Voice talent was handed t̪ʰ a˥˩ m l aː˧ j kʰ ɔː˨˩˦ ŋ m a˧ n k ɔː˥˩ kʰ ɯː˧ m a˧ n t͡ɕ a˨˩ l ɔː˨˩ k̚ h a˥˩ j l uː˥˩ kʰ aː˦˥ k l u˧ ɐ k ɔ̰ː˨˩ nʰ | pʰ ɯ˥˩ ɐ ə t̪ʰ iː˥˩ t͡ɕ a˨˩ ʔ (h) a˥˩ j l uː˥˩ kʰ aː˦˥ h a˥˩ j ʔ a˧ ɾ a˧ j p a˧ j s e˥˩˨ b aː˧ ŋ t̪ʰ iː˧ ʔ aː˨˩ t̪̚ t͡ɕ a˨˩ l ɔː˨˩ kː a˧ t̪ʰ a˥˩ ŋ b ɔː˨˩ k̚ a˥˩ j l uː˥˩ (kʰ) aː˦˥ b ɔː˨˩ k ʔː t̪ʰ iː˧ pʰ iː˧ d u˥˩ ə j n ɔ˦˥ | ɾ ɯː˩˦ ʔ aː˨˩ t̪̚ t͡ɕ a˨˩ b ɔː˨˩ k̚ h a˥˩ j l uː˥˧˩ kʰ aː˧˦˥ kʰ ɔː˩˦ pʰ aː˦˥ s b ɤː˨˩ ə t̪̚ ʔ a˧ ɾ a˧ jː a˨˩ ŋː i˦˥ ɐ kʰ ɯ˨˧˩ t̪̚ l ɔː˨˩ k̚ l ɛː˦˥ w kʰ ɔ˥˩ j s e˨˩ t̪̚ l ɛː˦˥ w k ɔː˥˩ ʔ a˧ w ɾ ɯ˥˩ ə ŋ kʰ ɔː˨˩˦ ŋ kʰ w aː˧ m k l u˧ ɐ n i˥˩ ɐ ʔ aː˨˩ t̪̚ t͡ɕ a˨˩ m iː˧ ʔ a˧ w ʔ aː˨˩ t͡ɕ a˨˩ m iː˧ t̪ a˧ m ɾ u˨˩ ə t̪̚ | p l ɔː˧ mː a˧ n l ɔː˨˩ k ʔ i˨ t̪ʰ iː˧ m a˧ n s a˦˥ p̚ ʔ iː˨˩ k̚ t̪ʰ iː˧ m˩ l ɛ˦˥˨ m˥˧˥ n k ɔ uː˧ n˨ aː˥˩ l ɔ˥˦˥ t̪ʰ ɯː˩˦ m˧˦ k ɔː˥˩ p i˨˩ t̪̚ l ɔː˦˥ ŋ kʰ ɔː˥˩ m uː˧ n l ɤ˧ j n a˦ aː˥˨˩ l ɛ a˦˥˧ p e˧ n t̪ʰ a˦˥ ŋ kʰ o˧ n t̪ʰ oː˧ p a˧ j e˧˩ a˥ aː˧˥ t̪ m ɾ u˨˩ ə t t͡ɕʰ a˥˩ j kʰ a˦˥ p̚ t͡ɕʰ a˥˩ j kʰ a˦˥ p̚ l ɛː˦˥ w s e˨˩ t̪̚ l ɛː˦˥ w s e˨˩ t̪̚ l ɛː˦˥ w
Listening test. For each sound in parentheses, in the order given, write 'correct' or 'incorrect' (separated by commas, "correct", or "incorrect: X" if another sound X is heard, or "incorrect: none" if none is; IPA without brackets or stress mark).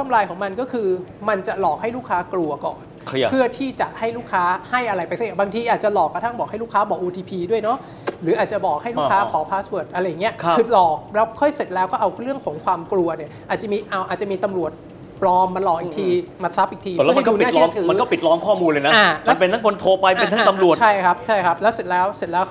correct, correct